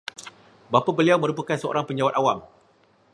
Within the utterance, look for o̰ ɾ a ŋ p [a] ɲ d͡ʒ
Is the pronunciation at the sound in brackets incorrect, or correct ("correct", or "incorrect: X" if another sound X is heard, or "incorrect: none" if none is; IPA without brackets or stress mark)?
incorrect: ə